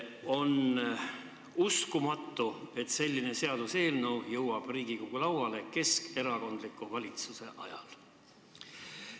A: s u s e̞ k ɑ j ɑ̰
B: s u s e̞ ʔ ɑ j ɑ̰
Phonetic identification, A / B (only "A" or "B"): B